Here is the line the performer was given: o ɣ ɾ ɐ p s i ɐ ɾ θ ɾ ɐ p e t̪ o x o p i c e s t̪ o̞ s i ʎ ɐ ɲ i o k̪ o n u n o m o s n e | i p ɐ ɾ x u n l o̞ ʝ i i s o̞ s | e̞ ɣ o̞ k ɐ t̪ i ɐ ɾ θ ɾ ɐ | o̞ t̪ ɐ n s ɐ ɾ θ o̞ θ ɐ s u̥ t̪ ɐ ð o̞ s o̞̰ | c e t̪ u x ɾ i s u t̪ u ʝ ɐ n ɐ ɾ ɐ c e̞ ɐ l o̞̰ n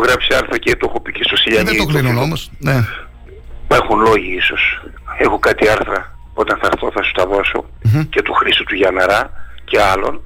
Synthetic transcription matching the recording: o ɣ ɾ ɐ p s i ɐ ɾ θ ɾ ɐ c e t̪ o x o p i c e s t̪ o̞ s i ʎ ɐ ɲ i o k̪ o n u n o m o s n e | i p ɐ ɾ x u n l o̞ ʝ i i s o̞ s | e̞ x o̞ k ɐ t̪ i ɐ ɾ θ ɾ ɐ | o̞ t̪ ɐ n θ ɐ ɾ θ o̞ θ ɐ s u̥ t̪ ɐ ð o̞ s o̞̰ | c e t̪ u x ɾ i s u t̪ u ʝ ɐ n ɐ ɾ ɐ c e̞ ɐ l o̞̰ n